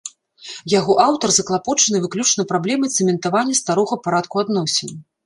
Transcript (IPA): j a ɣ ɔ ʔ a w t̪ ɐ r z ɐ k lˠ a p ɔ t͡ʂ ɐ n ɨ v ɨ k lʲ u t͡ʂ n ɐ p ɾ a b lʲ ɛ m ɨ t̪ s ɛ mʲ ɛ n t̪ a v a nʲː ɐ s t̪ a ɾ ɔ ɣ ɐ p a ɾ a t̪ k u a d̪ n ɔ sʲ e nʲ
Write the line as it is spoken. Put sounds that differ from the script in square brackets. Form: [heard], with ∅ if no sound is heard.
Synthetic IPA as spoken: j a ɣ ɔ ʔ a w t̪ ɐ r z ɐ k lˠ a p ɔ t͡ʂ ɐ n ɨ v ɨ k lʲ u t͡ʂ n ɐ p ɾ a b lʲ ɛ m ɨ t̪ s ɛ mʲ ɛ n t̪ a v a nʲː ɐ s t̪ a ɾ ɔ ɣ ɐ p a ɾ a t̪ k u a d̪ n ɔ sʲ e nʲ

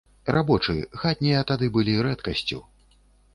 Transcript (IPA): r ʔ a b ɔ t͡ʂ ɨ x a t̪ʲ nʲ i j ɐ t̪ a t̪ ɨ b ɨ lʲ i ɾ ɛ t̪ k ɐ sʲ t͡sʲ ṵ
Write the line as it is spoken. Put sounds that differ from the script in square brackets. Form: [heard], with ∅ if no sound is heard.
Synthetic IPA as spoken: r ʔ a b ɔ t͡ʂ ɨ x a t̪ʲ nʲ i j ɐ t̪ a [d̪] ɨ b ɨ lʲ i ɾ ɛ t̪ k ɐ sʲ t͡sʲ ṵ

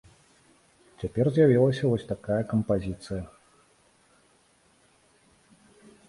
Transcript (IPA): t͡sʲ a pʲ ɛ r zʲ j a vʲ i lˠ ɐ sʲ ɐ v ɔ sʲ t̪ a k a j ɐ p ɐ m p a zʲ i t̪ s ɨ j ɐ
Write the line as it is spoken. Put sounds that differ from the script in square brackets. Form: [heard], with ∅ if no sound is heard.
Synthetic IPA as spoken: t͡sʲ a pʲ ɛ r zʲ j a vʲ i lˠ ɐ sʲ ɐ v ɔ sʲ t̪ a k a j ɐ [k] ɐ m p a zʲ i t̪ s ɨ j ɐ

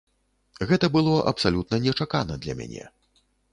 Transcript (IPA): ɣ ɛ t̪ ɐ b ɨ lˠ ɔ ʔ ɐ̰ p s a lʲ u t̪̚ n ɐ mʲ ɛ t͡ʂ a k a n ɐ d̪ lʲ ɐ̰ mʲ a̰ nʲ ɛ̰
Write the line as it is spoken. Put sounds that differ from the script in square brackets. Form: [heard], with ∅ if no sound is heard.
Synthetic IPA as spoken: ɣ ɛ t̪ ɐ b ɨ lˠ ɔ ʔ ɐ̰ p s a lʲ u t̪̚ n ɐ [nʲ] ɛ t͡ʂ a k a n ɐ d̪ lʲ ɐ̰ mʲ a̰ nʲ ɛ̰

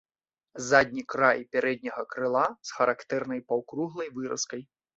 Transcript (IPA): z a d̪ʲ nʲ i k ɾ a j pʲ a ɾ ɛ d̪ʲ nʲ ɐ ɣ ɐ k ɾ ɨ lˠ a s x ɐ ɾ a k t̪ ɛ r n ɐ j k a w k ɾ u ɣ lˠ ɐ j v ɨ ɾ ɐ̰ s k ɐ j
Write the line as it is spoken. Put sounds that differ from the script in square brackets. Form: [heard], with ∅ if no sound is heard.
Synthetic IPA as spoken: z a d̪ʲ nʲ i k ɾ a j pʲ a ɾ ɛ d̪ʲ nʲ ɐ ɣ ɐ k ɾ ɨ lˠ a s x ɐ ɾ a k t̪ ɛ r n ɐ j [p] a w k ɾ u ɣ lˠ ɐ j v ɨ ɾ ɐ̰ s k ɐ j

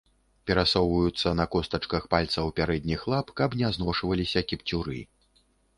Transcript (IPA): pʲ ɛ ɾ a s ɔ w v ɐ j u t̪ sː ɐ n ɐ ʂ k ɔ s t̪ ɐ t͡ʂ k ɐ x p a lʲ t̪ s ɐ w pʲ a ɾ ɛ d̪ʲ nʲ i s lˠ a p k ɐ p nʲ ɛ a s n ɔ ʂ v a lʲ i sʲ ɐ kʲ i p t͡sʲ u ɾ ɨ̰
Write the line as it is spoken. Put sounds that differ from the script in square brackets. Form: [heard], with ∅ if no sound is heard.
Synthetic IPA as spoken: pʲ ɛ ɾ a s ɔ w v ɐ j u t̪ sː ɐ n ɐ [∅] k ɔ s t̪ ɐ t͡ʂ k ɐ x p a lʲ t̪ s ɐ w pʲ a ɾ ɛ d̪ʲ nʲ i [x] lˠ a p k ɐ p nʲ ɛ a [z] n ɔ ʂ v [ɐ] lʲ i sʲ ɐ kʲ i p t͡sʲ u ɾ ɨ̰

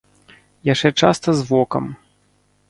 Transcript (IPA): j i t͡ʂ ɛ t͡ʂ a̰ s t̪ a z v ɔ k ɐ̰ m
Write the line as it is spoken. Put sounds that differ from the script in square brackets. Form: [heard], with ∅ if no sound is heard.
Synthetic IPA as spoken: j [a] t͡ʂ ɛ t͡ʂ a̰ s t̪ [ɐ] z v ɔ k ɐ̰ m

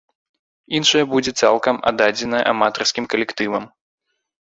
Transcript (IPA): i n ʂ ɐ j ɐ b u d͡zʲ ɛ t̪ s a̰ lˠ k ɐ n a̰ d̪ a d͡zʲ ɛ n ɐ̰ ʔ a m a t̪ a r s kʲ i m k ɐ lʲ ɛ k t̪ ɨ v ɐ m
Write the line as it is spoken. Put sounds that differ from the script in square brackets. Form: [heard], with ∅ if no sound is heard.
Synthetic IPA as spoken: i n ʂ ɐ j ɐ b u d͡zʲ ɛ t̪ s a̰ lˠ k ɐ [m] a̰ d̪ a d͡zʲ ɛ n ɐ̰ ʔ a m a t̪ [ɐ] r s kʲ i m k ɐ lʲ ɛ k t̪ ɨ v ɐ m

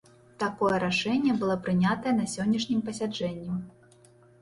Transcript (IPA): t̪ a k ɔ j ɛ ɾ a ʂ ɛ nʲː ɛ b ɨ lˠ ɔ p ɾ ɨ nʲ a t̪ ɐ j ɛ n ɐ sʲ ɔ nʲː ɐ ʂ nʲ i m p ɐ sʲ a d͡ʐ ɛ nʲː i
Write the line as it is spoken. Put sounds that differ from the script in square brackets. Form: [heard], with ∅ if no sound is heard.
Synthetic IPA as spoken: t̪ a k ɔ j ɛ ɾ a ʂ ɛ nʲː ɛ b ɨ lˠ ɔ p ɾ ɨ nʲ a t̪ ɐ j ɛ n ɐ sʲ ɔ nʲː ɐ ʂ nʲ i m p ɐ sʲ a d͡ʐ ɛ nʲː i

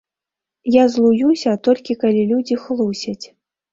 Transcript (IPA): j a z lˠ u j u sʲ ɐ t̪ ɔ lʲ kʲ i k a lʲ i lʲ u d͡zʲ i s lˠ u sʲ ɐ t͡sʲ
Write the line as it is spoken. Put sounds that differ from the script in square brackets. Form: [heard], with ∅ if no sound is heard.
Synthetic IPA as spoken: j a z lˠ u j u sʲ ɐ t̪ ɔ lʲ kʲ i k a lʲ i lʲ u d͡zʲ i [x] lˠ u sʲ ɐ t͡sʲ

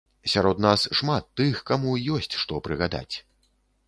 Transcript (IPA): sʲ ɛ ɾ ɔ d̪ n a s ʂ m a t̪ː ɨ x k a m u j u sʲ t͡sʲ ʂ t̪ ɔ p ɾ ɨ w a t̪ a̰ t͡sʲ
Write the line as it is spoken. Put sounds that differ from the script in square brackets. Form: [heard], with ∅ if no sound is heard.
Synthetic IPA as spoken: sʲ [a] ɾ ɔ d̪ n a s ʂ m a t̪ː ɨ x k a m u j [ɔ] sʲ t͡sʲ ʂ t̪ ɔ p ɾ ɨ [ɣ] a [d̪] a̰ t͡sʲ

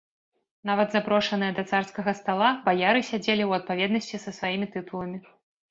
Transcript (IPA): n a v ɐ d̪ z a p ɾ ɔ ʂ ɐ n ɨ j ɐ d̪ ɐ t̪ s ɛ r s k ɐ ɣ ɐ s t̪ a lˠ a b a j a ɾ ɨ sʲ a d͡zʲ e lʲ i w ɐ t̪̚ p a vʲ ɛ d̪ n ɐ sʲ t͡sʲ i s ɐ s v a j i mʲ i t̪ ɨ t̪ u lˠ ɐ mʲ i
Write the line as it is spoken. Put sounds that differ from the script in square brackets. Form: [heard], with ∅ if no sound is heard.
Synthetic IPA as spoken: n a v ɐ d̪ z a p ɾ ɔ ʂ ɐ n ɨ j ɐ d̪ ɐ t̪ s [a] r s k ɐ ɣ ɐ s t̪ a lˠ a b a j a ɾ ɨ sʲ a d͡zʲ e lʲ i w ɐ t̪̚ p a vʲ ɛ d̪ n ɐ sʲ t͡sʲ i s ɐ s v a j i mʲ i t̪ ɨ t̪ u lˠ ɐ mʲ i

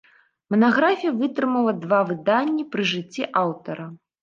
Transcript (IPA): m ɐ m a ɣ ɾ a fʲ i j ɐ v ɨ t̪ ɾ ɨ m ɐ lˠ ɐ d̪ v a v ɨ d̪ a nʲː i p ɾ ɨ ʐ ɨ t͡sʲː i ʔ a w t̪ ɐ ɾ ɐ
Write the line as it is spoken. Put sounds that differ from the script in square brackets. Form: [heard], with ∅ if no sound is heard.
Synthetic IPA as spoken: m ɐ [n] a ɣ ɾ a fʲ i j ɐ v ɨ t̪ ɾ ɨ m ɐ lˠ ɐ d̪ v a v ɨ d̪ a nʲː i p ɾ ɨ ʐ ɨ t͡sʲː i ʔ a w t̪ ɐ ɾ ɐ

